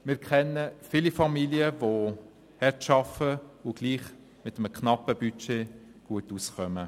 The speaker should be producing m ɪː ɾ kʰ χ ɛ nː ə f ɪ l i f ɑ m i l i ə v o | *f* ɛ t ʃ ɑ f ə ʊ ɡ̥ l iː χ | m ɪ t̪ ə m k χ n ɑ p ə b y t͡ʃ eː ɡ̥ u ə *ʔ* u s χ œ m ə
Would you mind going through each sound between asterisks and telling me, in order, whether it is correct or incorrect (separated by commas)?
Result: incorrect, incorrect